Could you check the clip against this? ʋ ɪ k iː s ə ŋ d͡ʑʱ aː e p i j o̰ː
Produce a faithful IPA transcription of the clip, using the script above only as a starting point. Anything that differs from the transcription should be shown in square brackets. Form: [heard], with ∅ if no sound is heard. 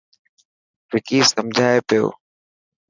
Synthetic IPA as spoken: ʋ ɪ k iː s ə [m] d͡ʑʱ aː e p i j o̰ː

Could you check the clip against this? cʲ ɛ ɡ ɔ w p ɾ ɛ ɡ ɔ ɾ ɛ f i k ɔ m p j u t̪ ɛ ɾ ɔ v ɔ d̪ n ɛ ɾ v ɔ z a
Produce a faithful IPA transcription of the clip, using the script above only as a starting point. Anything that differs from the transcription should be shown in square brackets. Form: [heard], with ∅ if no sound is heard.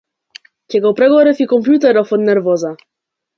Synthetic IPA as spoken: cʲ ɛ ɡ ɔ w p ɾ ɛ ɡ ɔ ɾ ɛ f i k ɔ m p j u t̪ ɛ ɾ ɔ [f] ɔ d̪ n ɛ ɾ v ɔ z a

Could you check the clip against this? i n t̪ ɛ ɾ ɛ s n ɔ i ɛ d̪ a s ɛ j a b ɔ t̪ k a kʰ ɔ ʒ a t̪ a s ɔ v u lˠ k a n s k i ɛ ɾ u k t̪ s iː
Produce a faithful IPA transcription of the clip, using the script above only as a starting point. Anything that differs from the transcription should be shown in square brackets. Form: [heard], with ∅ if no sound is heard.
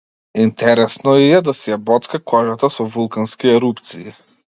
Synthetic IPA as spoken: i n t̪ ɛ ɾ ɛ s n ɔ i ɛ d̪ a s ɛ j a b ɔ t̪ k a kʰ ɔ ʒ a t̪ a s ɔ v u lˠ k a n s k i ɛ ɾ u [p] t̪ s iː

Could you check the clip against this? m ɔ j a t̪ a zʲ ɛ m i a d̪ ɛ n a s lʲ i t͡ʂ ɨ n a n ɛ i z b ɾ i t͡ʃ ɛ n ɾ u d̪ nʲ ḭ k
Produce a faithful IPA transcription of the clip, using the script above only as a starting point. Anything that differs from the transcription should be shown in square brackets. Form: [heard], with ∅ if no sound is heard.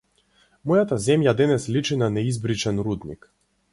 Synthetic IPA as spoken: m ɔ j a t̪ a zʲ ɛ m [j] a d̪ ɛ n [ɛ] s lʲ i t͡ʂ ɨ n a n ɛ i z b ɾ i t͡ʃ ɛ n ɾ u d̪ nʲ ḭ k

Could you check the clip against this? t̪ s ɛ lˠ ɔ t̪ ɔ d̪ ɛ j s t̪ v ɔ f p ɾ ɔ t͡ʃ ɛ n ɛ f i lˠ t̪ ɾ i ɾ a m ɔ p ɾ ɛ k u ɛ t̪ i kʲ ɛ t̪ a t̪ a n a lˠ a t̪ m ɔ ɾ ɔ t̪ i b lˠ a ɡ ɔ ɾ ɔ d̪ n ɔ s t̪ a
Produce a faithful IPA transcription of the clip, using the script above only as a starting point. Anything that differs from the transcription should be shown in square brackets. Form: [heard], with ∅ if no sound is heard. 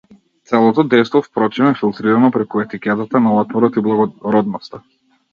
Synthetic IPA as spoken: t̪ s ɛ lˠ ɔ t̪ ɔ d̪ ɛ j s t̪ v ɔ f p ɾ ɔ t͡ʃ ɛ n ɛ f i lˠ t̪ ɾ i ɾ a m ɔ p ɾ ɛ k u ɛ t̪ i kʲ ɛ t̪ a t̪ a n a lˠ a t̪ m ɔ ɾ ɔ t̪ i b lˠ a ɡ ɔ ɾ ɔ d̪ n ɔ s t̪ a

